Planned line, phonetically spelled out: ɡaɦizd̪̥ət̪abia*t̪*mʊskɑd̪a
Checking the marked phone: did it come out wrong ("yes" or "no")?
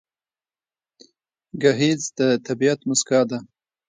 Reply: no